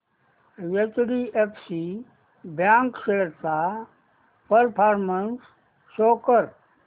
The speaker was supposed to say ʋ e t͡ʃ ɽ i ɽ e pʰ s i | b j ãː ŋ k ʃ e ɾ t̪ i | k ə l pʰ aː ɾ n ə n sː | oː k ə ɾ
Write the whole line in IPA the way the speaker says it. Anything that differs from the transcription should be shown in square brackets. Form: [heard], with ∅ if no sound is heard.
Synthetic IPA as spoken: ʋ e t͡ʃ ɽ i [∅] e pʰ s i | b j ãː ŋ k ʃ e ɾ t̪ [a] | [p] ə [ɾ] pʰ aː ɾ [m] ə n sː | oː k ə ɾ